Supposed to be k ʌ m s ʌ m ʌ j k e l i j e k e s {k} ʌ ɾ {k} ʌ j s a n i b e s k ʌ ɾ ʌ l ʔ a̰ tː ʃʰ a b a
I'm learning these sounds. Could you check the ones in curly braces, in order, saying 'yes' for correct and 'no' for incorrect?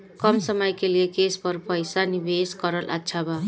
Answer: no, no

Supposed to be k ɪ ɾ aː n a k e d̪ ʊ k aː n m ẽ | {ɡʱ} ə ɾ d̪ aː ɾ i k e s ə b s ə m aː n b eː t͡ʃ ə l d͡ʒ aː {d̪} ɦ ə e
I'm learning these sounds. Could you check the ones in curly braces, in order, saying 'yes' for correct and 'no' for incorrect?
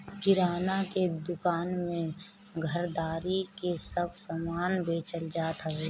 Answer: yes, no

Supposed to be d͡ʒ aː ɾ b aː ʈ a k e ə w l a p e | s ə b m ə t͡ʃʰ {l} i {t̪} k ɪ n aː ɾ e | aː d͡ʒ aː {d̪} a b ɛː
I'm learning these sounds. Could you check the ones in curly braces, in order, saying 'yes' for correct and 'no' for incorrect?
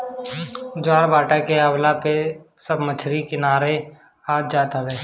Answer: no, no, no

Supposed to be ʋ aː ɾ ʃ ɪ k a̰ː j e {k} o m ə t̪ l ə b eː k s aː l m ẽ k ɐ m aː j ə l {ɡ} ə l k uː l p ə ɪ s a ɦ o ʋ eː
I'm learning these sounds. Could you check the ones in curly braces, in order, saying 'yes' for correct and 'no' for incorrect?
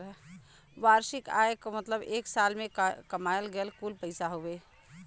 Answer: yes, yes

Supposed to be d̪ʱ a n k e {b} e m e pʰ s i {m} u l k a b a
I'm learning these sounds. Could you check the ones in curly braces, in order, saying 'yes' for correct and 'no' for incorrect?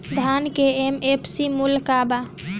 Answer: no, yes

